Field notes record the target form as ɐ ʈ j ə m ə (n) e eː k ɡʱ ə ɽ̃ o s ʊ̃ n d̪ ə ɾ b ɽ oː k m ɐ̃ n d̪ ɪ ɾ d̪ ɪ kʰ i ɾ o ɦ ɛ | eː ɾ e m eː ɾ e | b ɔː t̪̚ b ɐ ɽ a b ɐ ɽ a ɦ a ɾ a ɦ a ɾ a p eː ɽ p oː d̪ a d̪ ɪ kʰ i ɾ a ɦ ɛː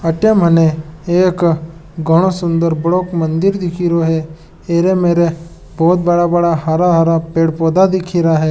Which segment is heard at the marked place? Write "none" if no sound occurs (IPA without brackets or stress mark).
n